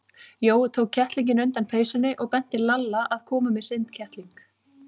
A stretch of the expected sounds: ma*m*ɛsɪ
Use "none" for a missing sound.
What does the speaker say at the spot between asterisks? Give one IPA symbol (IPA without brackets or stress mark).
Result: m